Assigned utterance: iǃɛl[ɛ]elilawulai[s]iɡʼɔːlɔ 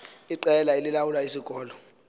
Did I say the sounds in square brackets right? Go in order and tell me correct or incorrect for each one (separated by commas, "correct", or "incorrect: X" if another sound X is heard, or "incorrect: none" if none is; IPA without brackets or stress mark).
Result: incorrect: a, correct